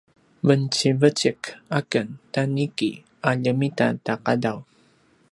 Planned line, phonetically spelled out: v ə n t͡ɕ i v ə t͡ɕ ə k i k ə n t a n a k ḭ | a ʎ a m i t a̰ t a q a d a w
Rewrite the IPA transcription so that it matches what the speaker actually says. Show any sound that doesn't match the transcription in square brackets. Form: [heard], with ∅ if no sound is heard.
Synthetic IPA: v ə n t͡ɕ i v ə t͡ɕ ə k [a] k ə n t a n [i] k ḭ | a ʎ [ə] m i t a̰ t a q a d a w